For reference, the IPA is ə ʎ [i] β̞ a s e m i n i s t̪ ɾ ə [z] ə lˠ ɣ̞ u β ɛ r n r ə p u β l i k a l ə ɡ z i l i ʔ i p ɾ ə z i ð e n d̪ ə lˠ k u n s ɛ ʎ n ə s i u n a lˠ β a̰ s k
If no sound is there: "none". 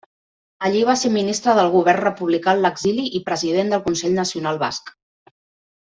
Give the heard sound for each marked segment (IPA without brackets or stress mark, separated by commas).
i, ð